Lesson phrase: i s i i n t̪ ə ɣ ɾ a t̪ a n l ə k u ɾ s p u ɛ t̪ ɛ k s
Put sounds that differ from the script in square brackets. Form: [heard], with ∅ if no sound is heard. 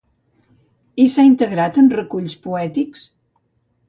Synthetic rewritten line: i s [a] i n t̪ ə ɣ ɾ a t̪ [ə] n [r] ə k u [ʎ] s p u ɛ t̪ [i] k s